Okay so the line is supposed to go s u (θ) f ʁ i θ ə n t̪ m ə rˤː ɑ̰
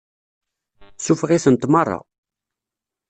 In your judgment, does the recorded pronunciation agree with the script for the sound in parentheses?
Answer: no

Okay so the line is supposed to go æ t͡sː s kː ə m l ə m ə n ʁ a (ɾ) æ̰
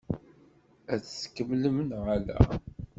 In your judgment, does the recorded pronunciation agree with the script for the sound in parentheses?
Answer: no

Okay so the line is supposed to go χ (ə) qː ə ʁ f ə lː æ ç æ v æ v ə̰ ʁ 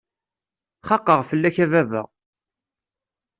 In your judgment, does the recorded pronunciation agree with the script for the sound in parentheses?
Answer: no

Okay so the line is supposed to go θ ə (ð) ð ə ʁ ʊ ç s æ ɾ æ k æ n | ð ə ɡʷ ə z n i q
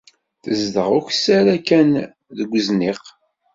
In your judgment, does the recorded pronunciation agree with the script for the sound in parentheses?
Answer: no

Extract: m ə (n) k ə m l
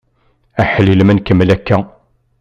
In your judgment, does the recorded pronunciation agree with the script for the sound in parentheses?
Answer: yes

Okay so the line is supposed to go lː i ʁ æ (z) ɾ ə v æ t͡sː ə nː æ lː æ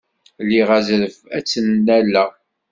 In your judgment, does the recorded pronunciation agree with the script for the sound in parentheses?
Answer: yes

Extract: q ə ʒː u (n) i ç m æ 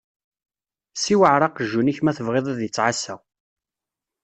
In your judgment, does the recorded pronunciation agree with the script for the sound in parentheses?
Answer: yes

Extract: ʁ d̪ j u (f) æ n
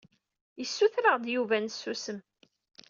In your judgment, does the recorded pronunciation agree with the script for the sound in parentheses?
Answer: no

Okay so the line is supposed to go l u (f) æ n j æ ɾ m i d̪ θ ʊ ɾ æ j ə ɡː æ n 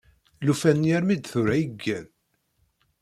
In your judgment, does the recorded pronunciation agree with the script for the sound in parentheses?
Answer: yes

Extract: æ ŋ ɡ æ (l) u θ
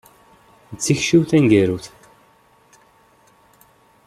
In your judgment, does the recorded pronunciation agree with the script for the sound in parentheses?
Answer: no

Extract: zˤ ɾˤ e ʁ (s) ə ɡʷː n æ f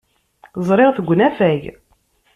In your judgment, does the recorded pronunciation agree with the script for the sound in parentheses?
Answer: no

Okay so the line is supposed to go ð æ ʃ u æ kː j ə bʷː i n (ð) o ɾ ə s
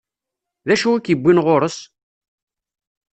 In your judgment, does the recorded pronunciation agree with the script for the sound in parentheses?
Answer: no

